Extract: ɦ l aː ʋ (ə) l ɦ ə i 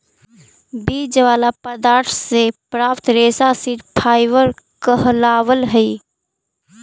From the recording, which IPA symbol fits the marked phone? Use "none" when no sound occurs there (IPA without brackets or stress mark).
ə